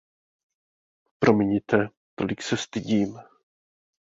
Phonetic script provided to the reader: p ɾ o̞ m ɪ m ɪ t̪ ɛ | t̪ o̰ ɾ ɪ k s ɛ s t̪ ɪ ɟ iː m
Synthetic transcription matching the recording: p ɾ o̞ m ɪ ɲ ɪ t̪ ɛ | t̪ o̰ l ɪ k s ɛ s t̪ ɪ ɟ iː m